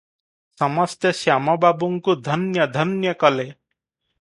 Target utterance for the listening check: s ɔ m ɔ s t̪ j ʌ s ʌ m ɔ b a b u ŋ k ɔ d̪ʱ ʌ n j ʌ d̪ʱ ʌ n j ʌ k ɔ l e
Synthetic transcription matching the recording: s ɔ m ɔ s t̪ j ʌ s a m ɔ b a b u ŋ k u d̪ʱ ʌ n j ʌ d̪ʱ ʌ n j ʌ k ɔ l e